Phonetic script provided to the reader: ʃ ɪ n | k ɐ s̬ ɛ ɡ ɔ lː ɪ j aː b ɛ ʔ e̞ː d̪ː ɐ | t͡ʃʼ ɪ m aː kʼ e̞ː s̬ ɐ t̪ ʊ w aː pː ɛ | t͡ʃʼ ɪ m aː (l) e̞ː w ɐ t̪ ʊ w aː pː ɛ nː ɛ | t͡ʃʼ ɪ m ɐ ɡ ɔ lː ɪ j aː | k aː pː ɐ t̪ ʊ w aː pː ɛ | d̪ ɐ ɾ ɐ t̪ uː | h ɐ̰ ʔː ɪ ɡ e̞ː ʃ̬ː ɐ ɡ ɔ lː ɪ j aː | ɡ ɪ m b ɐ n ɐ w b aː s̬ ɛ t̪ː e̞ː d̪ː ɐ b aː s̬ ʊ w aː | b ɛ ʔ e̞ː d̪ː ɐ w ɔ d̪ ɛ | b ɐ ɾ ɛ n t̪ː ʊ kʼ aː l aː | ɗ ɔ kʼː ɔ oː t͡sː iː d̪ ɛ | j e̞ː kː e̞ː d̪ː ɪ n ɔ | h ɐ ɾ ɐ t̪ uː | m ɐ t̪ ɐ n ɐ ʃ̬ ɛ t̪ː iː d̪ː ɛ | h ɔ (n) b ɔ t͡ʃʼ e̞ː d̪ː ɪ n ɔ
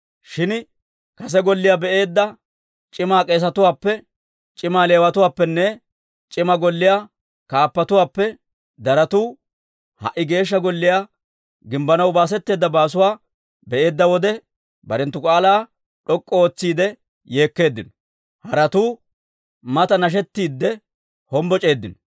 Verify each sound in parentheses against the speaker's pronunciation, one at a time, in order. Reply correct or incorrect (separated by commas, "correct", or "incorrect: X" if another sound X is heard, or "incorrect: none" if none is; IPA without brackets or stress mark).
correct, incorrect: m